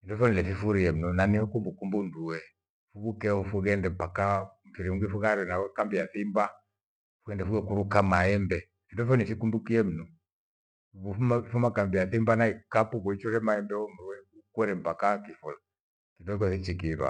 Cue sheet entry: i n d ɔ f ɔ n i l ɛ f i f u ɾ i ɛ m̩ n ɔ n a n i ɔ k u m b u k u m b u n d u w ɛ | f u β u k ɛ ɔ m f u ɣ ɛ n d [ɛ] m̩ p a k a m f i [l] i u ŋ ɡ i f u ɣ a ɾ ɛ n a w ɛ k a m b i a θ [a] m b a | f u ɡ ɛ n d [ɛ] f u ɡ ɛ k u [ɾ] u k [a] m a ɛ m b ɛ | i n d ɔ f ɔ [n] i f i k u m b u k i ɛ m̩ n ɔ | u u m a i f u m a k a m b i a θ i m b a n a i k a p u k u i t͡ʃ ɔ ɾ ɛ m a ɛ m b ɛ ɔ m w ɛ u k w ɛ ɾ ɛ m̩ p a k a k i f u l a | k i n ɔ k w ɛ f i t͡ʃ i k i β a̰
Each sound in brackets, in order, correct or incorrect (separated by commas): correct, incorrect, incorrect, correct, correct, correct, correct